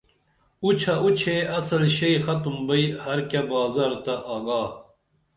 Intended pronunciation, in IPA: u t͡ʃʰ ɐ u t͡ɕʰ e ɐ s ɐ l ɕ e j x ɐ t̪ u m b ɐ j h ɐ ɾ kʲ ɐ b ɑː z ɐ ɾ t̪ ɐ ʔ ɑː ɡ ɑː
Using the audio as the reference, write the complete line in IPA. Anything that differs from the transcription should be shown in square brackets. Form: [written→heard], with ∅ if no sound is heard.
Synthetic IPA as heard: u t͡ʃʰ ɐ u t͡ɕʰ e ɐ s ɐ l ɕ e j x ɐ t̪ u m b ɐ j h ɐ ɾ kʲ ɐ b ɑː z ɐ ɾ t̪ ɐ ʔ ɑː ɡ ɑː